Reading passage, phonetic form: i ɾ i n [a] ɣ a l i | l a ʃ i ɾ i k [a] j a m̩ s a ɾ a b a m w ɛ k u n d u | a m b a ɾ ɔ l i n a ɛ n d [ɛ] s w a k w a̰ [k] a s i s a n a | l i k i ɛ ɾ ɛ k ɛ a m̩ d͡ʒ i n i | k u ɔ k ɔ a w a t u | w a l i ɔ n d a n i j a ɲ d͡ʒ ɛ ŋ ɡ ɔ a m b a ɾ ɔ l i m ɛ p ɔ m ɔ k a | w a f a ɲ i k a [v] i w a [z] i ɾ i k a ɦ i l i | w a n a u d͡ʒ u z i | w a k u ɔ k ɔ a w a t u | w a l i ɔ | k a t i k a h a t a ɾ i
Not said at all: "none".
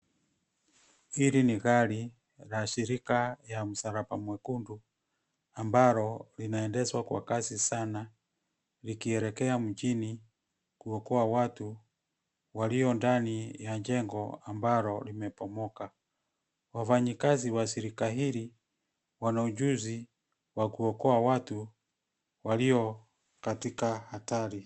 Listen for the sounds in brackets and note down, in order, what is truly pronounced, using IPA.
i, a, ɛ, k, z, s

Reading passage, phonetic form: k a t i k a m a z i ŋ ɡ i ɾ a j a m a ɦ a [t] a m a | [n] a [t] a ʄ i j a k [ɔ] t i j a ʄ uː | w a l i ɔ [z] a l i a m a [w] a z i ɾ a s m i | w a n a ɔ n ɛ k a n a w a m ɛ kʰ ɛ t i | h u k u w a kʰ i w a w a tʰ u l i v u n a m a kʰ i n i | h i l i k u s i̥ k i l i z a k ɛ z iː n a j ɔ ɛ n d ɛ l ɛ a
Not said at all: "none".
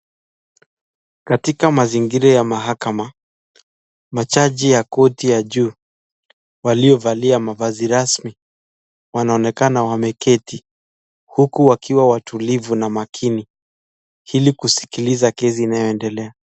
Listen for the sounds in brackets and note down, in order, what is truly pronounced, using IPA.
k, m, t͡ʃ, ɔ, v, v

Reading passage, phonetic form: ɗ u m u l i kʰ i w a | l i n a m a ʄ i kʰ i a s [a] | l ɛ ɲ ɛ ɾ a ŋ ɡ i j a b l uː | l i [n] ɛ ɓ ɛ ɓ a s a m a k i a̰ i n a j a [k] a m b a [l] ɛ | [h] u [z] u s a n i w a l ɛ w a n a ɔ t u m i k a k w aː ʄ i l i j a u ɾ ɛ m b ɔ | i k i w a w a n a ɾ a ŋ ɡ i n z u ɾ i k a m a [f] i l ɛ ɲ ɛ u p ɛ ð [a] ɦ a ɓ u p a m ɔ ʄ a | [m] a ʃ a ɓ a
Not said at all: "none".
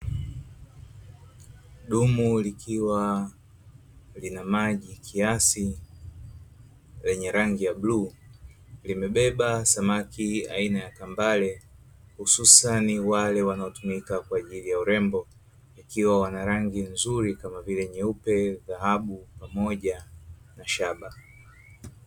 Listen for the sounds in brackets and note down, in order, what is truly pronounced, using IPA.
i, m, k, l, h, s, v, a, n

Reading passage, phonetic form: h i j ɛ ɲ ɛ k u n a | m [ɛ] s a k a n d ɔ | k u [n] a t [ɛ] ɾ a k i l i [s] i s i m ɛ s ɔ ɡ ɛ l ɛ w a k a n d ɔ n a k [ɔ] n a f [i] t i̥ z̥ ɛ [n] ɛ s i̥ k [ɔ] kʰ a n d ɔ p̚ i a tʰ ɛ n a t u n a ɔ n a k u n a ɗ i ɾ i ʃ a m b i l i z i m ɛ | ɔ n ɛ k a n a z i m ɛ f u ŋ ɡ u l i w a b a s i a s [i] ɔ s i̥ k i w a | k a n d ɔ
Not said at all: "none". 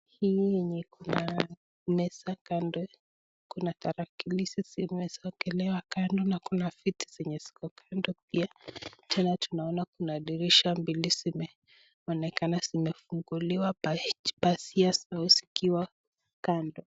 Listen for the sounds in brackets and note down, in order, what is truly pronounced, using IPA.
ɛ, n, a, s, u, i, ɲ, ɔ, a

